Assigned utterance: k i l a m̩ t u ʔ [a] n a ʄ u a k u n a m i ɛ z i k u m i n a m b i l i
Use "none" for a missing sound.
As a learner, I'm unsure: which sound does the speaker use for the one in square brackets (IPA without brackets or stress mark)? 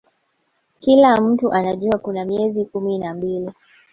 a